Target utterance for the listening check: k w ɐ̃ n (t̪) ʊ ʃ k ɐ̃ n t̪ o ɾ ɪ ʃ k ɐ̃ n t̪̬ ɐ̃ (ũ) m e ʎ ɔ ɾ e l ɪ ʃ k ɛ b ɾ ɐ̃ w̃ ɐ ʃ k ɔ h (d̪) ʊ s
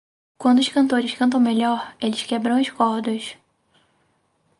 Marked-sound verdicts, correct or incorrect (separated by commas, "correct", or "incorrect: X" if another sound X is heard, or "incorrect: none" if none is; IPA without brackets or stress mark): incorrect: d̪, incorrect: w̃, correct